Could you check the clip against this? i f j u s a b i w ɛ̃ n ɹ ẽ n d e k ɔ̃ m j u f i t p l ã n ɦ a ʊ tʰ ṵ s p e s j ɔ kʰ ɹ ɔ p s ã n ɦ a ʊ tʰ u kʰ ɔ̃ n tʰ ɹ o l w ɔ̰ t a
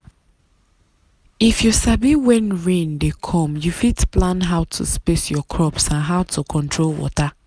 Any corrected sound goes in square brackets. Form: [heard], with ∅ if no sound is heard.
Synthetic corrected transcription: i f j u s a b i w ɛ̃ n ɹ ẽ n d e [kʰ] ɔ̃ m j u f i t p l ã n ɦ a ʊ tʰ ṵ s p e s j ɔ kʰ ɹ ɔ p s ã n ɦ a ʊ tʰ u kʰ ɔ̃ n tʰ ɹ o l w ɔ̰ t a